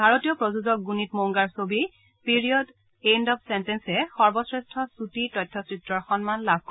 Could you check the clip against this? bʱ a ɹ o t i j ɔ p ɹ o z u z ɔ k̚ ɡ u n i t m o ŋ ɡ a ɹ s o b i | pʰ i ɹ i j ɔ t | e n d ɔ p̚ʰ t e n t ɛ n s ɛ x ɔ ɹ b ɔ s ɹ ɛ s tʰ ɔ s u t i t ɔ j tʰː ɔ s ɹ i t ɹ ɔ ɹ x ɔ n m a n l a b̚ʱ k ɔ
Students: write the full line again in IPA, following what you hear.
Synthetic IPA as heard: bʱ a ɹ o t i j ɔ p ɹ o z u z ɔ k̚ ɡ u n i t m o ŋ ɡ a ɹ s o b i | p i ɹ i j ɔ d | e n d ɔ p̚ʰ s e n t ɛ n s ɛ x ɔ ɹ b ɔ s ɹ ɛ s tʰ ɔ s u t i t ɔ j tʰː ɔ s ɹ i t ɹ ɔ ɹ x ɔ n m a n l a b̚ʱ k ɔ